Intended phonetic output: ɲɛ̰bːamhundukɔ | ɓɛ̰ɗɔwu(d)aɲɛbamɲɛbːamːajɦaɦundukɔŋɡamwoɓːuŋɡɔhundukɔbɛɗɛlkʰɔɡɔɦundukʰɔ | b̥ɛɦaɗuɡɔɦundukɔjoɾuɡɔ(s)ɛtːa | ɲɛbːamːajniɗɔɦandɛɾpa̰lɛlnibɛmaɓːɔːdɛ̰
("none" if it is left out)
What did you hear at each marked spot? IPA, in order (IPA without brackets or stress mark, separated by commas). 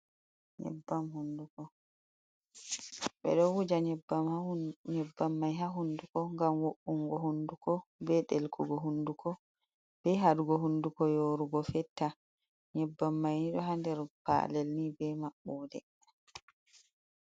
d͡ʒ, f